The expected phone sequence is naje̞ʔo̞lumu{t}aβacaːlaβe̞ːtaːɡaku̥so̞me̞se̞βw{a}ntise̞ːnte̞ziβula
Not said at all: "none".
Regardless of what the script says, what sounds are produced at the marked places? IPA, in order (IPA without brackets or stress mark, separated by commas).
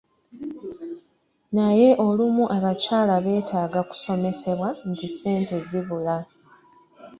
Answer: ʔ, a